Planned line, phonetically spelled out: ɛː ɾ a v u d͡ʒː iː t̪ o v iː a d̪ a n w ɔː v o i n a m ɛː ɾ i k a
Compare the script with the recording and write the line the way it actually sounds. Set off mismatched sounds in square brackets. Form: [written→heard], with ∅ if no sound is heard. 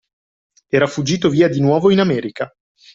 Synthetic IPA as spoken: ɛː ɾ a [v→f] u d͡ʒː iː t̪ o v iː a d̪ [a→i] n w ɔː v o i n a m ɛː ɾ i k a